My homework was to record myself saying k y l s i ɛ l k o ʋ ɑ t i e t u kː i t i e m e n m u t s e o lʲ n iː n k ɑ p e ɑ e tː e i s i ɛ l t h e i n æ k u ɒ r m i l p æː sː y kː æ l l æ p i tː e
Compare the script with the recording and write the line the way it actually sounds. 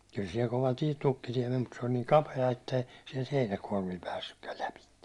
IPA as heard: k y l s i ɛ l k o ʋ ɑ t i e t u kː i t i e m e n m u t s e o lʲ n iː ŋ k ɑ p e ɑ e tː e i s i ɛ l t h e i n æ k u ɒ r m i l p æː sː y kː æ l l æ p i tː e